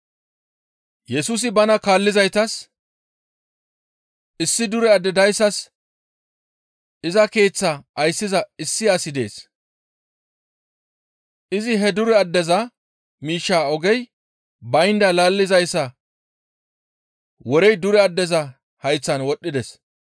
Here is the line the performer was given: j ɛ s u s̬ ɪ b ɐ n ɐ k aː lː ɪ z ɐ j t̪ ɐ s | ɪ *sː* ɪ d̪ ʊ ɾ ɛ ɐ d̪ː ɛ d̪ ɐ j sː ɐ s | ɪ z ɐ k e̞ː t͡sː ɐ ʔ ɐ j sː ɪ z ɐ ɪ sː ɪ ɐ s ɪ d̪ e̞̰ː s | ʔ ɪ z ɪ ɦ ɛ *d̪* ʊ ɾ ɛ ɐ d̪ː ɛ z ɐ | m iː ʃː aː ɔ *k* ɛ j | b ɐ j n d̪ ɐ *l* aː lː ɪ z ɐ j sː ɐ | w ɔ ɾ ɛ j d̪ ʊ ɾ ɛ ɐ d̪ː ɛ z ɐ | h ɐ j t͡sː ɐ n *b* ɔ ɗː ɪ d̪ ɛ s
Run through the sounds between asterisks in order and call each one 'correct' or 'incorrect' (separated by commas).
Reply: correct, correct, incorrect, correct, incorrect